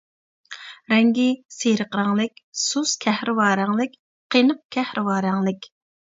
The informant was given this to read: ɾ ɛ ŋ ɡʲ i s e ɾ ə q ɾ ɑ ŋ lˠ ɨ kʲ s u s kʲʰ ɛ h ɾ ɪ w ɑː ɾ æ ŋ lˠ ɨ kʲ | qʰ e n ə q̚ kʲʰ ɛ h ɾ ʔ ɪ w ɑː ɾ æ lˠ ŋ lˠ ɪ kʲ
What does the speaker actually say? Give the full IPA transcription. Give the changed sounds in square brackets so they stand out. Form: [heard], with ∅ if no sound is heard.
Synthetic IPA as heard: ɾ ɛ ŋ ɡʲ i s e ɾ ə q ɾ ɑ ŋ lˠ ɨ kʲ s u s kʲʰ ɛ h ɾ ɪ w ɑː ɾ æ ŋ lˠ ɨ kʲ | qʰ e n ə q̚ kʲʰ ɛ h ɾ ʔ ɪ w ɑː ɾ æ [∅] ŋ lˠ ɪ kʲ